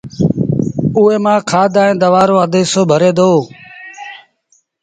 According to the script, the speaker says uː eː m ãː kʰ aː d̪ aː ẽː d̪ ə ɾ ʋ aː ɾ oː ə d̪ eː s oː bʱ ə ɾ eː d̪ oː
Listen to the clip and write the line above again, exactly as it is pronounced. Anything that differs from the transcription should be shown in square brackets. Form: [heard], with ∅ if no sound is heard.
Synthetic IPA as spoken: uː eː m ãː kʰ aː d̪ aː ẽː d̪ ə [∅] ʋ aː ɾ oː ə d̪ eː s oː bʱ ə ɾ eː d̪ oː